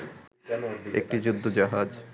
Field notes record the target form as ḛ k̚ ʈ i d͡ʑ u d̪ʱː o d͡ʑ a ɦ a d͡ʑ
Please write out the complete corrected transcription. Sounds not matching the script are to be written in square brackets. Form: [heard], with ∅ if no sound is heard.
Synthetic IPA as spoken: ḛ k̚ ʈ i d͡ʑ u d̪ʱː o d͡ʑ a ɦ a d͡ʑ

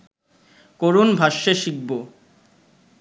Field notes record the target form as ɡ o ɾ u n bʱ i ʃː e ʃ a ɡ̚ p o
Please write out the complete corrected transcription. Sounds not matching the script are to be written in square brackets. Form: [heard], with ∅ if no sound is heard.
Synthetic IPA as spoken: [k] o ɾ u n bʱ [a] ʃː e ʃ [i] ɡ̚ [b] o

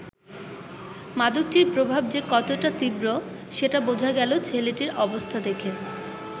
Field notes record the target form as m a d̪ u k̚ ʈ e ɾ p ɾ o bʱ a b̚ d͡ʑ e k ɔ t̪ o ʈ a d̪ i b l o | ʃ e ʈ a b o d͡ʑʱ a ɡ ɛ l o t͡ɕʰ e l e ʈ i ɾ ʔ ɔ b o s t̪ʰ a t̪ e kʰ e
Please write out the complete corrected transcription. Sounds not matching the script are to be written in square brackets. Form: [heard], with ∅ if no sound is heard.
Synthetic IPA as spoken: m a d̪ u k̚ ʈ [i] ɾ p ɾ o bʱ a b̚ d͡ʑ e k ɔ t̪ o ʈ a [t̪] i b [ɾ] o | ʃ e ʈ a b o d͡ʑʱ a ɡ ɛ l o t͡ɕʰ e l e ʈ i ɾ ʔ ɔ b o s t̪ʰ a [d̪] e kʰ e

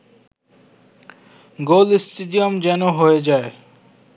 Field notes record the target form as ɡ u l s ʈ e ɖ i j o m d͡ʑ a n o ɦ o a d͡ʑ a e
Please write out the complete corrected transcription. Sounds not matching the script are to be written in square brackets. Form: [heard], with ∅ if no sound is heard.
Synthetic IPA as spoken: ɡ [o] l s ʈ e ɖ i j o m d͡ʑ [ɛ] n o ɦ o [e] d͡ʑ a e

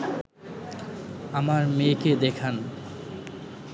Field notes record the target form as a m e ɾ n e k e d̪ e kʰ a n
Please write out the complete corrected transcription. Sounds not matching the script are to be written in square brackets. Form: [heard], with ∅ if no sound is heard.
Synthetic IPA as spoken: a m [a] ɾ [m] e k e d̪ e kʰ a n

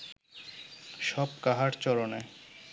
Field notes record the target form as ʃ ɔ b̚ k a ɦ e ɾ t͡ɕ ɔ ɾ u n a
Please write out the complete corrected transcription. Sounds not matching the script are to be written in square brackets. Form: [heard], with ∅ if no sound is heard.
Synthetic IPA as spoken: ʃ ɔ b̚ k a ɦ [a] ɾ t͡ɕ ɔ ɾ [o] n [e]

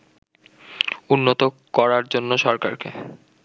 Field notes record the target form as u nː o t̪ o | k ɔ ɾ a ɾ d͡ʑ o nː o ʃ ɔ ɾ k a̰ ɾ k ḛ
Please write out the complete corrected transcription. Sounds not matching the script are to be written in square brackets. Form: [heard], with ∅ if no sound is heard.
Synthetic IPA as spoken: u nː o t̪ o | k ɔ ɾ a ɾ d͡ʑ o nː o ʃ ɔ ɾ k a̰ ɾ k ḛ

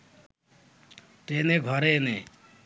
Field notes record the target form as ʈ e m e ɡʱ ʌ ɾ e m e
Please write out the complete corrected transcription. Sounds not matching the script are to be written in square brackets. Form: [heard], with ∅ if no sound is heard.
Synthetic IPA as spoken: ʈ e [n] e ɡʱ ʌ ɾ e [n] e

